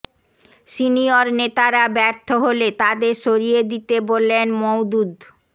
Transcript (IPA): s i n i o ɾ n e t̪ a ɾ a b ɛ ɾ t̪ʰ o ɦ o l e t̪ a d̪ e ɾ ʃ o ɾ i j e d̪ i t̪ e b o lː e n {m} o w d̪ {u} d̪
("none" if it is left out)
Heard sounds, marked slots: m, u

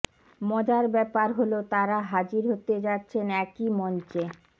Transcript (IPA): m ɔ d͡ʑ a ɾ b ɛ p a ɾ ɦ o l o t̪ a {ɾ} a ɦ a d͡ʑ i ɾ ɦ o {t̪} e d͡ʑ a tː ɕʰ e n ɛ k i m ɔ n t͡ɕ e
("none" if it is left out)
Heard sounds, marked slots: ɾ, t̪

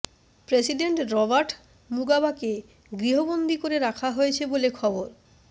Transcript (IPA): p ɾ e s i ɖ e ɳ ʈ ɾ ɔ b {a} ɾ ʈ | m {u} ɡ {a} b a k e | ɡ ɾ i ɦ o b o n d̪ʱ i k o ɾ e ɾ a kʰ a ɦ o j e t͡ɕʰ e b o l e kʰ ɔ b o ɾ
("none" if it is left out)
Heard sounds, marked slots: a, u, a

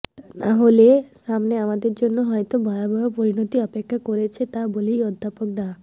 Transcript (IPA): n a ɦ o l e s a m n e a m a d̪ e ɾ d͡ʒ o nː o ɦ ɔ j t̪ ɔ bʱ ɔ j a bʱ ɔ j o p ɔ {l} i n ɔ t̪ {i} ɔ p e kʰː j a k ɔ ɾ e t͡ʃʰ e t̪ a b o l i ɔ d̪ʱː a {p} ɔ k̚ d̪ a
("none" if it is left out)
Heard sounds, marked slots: ɾ, i, p

